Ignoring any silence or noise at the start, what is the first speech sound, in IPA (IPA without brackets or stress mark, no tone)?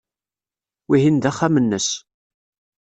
w